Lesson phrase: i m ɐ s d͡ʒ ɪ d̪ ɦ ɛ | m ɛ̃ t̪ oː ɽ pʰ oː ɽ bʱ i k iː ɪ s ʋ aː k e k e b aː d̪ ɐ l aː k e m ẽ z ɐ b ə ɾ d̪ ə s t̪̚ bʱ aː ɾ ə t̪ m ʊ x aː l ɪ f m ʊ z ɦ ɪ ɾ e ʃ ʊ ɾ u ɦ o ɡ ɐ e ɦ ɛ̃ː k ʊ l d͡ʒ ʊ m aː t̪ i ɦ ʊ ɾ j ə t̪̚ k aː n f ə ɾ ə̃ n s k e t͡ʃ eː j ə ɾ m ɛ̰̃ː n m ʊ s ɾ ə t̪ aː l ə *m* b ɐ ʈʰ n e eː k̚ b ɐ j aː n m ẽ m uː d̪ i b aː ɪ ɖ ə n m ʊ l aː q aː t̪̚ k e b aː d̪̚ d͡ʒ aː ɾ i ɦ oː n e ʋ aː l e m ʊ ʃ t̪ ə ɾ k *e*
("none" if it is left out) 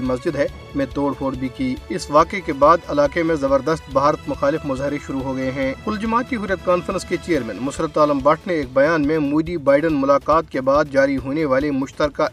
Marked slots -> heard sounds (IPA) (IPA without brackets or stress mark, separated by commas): m, a